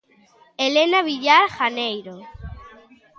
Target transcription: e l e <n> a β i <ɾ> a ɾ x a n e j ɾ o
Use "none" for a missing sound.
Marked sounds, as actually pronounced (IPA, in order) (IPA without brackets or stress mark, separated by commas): n, ʎ